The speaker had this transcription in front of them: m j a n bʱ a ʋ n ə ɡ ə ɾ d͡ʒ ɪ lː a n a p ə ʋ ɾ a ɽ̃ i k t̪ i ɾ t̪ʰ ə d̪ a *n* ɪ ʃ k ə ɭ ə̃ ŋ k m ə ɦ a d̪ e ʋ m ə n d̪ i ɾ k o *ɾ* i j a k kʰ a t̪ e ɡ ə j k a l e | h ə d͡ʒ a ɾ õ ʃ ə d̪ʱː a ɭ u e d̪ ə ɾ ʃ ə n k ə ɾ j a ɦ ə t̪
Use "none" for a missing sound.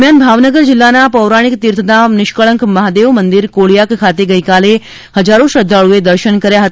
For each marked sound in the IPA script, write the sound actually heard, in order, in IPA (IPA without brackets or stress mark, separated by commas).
n, ɭ